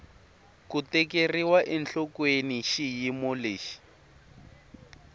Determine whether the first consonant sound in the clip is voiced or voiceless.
voiceless